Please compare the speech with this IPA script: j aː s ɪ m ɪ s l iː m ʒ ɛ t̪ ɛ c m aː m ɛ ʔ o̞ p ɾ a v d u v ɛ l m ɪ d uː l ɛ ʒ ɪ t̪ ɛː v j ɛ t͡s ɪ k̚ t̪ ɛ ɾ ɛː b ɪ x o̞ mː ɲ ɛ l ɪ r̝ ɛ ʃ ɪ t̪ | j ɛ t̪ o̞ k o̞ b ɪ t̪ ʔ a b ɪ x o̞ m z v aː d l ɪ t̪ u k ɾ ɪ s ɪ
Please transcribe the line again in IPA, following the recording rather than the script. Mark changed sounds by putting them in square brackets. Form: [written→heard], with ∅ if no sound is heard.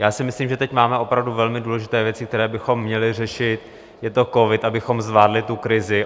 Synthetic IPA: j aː s ɪ m ɪ s l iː m ʒ ɛ t̪ ɛ c m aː m ɛ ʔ o̞ p ɾ a v d u v ɛ l m ɪ d uː l ɛ ʒ ɪ t̪ ɛː v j ɛ t͡s ɪ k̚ t̪ ɛ ɾ ɛː b ɪ x o̞ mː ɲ ɛ l ɪ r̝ ɛ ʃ ɪ t̪ | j ɛ t̪ o̞ k o̞ [b→v] ɪ t̪ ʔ a b ɪ x o̞ m z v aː d l ɪ t̪ u k ɾ ɪ [s→z] ɪ